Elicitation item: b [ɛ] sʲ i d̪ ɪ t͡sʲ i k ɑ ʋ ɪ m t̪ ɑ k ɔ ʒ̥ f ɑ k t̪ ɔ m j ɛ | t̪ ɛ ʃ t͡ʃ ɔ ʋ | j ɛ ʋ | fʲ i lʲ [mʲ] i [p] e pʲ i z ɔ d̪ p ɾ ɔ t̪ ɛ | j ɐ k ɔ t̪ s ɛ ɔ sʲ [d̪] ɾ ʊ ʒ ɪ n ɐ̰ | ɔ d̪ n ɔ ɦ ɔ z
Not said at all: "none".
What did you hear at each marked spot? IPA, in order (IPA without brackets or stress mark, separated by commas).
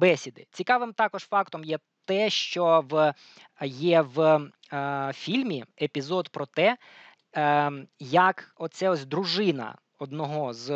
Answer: ɛ, mʲ, none, d̪